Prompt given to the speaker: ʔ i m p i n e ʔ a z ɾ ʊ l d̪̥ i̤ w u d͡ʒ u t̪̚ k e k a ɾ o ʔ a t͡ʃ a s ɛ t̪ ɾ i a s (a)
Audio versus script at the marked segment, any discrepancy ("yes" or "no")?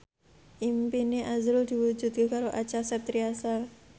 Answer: no